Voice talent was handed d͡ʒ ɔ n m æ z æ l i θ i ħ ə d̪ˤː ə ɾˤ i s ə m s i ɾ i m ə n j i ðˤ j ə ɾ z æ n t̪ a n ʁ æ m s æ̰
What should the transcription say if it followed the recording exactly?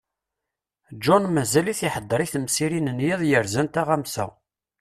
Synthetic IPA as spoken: d͡ʒ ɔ n m æ z æ l i θ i ħ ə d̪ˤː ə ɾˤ i θ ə m s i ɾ i n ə n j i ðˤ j ə ɾ z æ n t̪ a ʁ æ m s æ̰